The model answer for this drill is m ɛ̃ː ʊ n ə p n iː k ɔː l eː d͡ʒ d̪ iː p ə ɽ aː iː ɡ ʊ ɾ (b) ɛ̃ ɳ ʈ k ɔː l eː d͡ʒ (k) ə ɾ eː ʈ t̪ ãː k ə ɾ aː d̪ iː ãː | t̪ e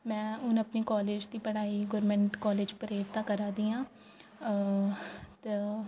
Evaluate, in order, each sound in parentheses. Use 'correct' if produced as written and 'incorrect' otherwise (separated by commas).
incorrect, incorrect